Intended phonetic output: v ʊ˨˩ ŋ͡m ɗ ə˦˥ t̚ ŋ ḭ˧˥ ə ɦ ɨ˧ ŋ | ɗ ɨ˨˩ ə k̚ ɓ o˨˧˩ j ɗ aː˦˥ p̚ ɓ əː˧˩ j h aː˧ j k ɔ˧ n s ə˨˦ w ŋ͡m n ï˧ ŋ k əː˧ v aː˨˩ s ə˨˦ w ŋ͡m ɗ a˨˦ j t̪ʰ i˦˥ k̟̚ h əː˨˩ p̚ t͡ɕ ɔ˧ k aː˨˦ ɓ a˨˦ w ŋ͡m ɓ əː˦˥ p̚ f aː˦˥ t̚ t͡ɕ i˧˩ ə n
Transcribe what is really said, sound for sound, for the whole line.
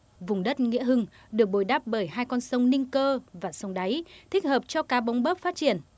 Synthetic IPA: v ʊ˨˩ ŋ͡m ɗ ə˦˥ t̚ ŋ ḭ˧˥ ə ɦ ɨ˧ ŋ | ɗ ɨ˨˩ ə k̚ ɓ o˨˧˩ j ɗ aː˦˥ p̚ ɓ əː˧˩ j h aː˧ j k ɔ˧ n s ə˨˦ w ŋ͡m n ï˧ ŋ k əː˧ v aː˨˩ s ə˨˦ w ŋ͡m ɗ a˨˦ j t̪ʰ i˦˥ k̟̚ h əː˨˩ p̚ t͡ɕ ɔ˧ k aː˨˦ ɓ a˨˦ w ŋ͡m ɓ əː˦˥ p̚ f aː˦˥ t̚ t͡ɕ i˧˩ ə n